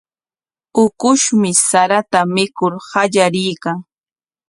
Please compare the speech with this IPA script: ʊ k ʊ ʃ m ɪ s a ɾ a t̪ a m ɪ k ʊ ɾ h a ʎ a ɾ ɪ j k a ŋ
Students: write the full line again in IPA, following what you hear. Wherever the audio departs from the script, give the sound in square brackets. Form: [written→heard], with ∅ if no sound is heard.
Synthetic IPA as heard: ʊ k ʊ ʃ m ɪ s a ɾ a t̪ a m ɪ k ʊ ɾ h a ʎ a ɾ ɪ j k a ŋ